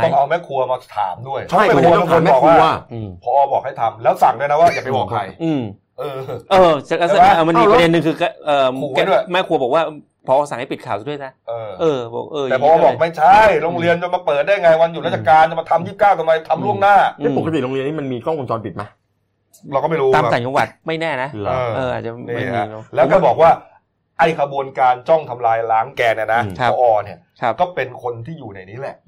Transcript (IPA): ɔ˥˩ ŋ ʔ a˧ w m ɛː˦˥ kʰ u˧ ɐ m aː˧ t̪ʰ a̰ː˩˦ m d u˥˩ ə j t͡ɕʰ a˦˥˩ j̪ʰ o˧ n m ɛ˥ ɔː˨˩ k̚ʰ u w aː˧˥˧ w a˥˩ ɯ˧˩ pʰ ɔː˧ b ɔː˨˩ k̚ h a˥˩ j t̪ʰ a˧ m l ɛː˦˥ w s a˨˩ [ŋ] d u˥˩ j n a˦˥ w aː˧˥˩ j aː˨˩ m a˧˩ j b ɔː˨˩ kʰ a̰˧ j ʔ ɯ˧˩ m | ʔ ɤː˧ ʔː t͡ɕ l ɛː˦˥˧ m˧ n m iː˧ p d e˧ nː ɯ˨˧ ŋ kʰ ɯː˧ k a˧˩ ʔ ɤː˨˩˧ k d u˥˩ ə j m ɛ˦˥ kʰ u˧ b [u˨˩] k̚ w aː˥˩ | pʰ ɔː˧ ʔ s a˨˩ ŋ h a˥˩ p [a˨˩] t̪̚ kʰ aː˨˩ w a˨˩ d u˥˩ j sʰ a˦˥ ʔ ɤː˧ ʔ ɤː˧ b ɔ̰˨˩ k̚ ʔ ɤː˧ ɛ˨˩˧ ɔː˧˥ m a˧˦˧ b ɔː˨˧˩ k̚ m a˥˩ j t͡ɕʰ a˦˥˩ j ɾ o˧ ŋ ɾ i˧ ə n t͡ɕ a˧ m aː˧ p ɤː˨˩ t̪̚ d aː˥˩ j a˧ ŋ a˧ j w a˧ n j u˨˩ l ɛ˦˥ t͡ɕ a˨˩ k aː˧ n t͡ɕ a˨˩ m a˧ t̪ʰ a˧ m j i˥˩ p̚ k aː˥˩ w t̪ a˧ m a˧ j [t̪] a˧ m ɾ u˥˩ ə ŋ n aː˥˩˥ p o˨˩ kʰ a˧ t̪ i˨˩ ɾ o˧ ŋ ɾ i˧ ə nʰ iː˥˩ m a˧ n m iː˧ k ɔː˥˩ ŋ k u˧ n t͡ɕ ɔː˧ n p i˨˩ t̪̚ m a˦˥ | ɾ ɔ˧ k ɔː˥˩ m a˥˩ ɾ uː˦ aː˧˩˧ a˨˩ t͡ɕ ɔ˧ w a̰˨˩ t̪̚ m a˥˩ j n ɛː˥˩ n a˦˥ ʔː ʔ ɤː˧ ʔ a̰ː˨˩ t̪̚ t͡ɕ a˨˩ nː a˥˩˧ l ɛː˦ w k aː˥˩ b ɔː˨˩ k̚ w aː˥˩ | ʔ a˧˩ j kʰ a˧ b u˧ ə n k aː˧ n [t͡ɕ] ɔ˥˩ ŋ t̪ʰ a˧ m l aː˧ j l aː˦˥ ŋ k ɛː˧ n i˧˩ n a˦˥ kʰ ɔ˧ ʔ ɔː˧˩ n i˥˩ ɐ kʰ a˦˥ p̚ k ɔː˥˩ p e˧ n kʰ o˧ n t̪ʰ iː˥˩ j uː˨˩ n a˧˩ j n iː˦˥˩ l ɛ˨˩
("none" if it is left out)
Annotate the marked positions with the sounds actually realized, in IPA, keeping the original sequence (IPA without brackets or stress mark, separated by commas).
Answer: ŋ, ɔ˨˩, i˨˩, t̪ʰ, t͡ɕ